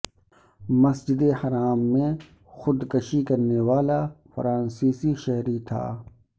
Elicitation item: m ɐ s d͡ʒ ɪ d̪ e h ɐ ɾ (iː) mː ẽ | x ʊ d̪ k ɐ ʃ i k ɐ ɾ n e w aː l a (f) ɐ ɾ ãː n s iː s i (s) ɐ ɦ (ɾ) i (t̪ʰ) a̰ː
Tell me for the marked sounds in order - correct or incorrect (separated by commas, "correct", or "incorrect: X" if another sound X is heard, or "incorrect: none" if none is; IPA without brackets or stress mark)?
incorrect: aː, correct, incorrect: ʃ, correct, correct